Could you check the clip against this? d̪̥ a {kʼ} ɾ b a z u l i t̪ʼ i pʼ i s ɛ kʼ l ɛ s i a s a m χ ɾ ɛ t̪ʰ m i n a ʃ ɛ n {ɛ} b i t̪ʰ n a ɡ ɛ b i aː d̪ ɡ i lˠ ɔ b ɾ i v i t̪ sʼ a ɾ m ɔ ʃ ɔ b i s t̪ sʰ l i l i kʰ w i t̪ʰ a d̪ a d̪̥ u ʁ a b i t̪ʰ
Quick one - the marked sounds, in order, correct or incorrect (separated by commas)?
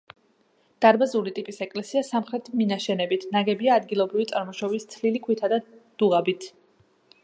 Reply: incorrect, correct